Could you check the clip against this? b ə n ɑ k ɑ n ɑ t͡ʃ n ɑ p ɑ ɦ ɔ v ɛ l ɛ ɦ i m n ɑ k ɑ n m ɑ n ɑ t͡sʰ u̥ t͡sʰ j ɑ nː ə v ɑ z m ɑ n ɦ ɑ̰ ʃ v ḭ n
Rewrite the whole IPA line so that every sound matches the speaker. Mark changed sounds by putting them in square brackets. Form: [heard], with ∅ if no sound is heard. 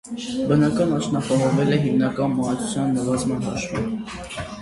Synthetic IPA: b ə n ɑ k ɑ n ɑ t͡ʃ n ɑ p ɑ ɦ ɔ v ɛ l ɛ ɦ i m n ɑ k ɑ n m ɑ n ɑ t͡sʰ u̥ t͡sʰ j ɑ nː ə v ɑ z m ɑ n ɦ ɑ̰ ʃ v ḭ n

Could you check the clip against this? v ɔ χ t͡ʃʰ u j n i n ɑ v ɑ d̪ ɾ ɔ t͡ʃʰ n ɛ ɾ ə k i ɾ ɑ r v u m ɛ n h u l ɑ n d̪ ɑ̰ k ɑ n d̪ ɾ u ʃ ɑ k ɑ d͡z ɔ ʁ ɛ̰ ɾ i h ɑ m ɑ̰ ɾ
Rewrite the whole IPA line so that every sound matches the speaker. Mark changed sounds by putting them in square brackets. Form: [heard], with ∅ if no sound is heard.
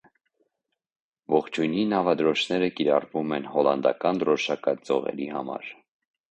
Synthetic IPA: v ɔ χ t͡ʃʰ u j n i n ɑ v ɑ d̪ ɾ ɔ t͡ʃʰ n ɛ ɾ ə k i ɾ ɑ r v u m ɛ n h [ɔ] l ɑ n d̪ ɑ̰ k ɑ n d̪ ɾ [ɔ] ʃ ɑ k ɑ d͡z ɔ ʁ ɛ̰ ɾ i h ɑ m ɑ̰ ɾ

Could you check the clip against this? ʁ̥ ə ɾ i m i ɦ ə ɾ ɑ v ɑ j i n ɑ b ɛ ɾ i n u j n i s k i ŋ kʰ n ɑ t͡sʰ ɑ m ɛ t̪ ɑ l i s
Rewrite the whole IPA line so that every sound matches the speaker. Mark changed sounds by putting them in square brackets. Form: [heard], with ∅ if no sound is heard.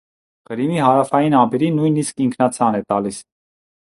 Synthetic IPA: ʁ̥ ə ɾ i m i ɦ [ɑ] ɾ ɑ [f] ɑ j i n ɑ b ɛ ɾ i n u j n i s k i ŋ kʰ n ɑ t͡sʰ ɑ [n] ɛ t̪ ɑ l i s

